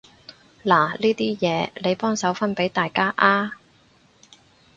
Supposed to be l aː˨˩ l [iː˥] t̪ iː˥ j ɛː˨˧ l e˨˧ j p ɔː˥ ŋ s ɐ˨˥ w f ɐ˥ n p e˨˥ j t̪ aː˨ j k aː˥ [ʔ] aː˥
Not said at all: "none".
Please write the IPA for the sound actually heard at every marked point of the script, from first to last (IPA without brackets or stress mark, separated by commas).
iː˥, ʔ